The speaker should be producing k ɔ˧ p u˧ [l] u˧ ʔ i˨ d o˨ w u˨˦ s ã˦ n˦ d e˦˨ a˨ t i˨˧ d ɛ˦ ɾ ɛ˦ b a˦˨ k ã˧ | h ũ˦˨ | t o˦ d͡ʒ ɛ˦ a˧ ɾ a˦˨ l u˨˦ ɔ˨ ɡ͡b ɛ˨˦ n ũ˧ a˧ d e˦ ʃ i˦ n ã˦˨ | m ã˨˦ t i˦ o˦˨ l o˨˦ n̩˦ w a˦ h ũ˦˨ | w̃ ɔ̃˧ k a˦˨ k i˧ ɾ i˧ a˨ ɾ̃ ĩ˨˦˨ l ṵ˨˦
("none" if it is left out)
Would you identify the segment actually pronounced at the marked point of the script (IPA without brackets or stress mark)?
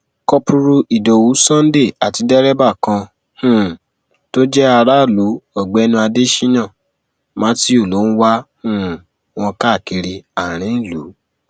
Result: ɾ